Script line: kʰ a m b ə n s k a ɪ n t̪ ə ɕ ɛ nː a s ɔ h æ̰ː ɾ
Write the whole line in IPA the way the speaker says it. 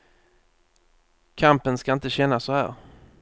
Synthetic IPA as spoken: kʰ a m p ə n s k a ɪ n t̪ ə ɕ ɛ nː a s ɔ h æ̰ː ɾ